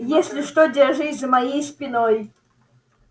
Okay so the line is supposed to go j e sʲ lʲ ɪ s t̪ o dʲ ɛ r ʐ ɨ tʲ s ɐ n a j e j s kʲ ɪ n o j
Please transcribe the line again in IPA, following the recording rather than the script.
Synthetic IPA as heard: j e sʲ lʲ ɪ ʂ t̪ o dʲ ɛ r ʐ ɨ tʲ z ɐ m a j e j s pʲ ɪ n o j